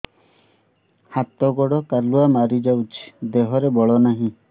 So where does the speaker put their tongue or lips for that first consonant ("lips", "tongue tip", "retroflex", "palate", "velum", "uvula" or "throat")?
throat